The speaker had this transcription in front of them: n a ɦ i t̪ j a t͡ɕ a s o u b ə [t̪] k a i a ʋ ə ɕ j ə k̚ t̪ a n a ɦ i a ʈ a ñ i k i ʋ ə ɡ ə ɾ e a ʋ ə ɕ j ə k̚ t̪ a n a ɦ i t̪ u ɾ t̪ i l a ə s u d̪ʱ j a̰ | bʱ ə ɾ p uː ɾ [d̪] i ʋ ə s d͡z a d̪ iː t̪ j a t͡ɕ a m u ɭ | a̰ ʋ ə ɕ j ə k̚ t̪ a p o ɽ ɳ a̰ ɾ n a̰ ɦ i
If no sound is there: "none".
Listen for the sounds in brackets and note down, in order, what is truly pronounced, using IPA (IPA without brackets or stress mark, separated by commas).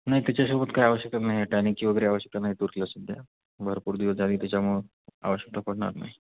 t̪, d̪